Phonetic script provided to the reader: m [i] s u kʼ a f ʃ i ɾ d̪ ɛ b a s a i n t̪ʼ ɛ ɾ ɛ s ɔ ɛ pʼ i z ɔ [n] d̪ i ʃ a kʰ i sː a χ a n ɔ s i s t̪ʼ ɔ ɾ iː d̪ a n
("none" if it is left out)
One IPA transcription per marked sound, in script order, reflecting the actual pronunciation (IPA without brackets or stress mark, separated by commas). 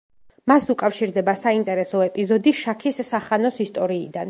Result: a, none